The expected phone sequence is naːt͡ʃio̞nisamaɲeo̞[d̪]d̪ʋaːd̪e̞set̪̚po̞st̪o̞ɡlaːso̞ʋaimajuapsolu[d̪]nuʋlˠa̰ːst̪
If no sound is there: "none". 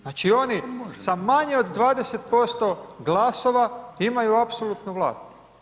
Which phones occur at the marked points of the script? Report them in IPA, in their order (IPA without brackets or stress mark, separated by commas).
d̪, t̪